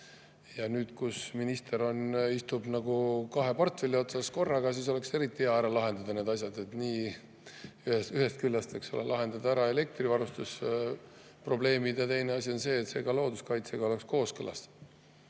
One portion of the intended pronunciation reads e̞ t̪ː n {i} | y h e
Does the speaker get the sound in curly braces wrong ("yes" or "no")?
yes